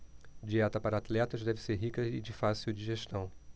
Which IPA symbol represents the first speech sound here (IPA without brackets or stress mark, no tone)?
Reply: d͡ʒ